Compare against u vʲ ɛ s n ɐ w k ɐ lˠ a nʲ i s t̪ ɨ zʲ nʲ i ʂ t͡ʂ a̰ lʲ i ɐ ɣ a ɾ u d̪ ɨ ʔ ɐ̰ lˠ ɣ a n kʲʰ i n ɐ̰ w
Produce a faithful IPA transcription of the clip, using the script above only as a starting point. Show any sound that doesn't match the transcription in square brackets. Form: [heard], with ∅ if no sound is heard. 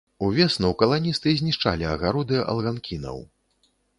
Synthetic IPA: u vʲ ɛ s n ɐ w k ɐ lˠ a nʲ i s t̪ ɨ zʲ nʲ i ʂ t͡ʂ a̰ lʲ i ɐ ɣ a ɾ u d̪ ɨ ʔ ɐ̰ lˠ ɣ a n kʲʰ i n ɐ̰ w